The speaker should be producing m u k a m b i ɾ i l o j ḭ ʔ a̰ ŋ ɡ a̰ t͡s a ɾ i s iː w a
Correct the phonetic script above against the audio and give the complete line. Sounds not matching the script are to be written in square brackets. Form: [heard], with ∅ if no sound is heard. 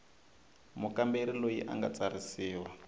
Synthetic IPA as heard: m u k a m b [e] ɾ i l o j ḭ ʔ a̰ ŋ ɡ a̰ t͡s a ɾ i s iː w a